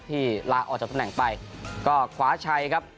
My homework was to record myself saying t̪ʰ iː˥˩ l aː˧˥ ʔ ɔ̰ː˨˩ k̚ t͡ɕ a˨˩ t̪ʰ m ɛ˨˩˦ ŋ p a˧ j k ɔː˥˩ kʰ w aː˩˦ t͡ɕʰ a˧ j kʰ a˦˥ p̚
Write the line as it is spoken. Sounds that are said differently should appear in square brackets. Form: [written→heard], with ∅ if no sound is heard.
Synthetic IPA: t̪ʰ iː˥˩ l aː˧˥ ʔ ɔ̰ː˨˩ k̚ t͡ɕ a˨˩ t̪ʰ [m→n] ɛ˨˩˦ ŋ p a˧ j k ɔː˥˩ kʰ w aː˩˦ t͡ɕʰ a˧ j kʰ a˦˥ p̚